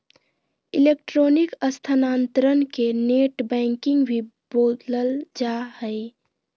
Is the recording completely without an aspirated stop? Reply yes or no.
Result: no